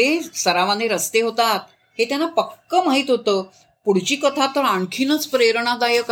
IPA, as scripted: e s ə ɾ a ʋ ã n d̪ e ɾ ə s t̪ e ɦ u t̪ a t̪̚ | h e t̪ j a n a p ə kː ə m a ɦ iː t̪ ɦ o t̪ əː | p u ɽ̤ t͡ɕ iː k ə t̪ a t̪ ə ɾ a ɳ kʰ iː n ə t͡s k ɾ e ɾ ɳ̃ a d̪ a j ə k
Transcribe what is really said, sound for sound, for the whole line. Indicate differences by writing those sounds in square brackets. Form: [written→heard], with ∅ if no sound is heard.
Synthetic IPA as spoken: e s ə ɾ a ʋ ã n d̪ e ɾ ə s t̪ e ɦ [u→o] t̪ a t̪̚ | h e t̪ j a n a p ə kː ə m a ɦ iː t̪ ɦ o t̪ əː | p u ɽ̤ t͡ɕ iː k ə [t̪→t̪ʰ] a t̪ ə ɾ a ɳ kʰ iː n ə t͡s [k→p] ɾ e ɾ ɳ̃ a d̪ a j ə k